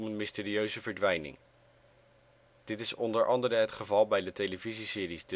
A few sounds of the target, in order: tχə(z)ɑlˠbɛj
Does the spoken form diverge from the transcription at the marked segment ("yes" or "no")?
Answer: yes